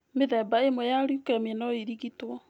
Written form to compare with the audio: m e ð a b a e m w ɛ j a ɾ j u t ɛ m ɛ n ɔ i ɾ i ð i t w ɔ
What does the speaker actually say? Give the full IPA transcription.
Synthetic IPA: m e ð ɛ b a e m w ɛ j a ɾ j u k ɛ m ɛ n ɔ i ɾ i ɣ i t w ɔ